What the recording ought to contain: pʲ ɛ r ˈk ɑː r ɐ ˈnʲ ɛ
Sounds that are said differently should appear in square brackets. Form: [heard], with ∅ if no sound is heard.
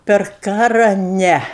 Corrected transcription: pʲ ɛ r ˈk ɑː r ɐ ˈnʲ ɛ